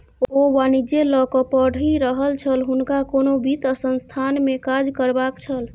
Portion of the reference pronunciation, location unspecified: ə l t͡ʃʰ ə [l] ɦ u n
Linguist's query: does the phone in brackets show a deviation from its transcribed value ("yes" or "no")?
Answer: no